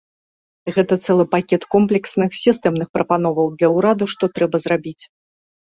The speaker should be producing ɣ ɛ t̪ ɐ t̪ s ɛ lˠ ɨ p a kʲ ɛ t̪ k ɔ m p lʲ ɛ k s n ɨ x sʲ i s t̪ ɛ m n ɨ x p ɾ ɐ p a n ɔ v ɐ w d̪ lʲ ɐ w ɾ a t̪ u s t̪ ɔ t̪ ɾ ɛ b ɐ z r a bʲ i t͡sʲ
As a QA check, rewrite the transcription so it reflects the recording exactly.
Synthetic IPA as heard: ɣ ɛ t̪ ɐ t̪ s ɛ lˠ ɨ p a kʲ ɛ t̪ k ɔ m p lʲ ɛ k s n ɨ x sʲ i s t̪ ɛ m n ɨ x p ɾ ɐ p a n ɔ v ɐ w d̪ lʲ ɐ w ɾ a d̪ u ʂ t̪ ɔ t̪ ɾ ɛ b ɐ z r a bʲ i t͡sʲ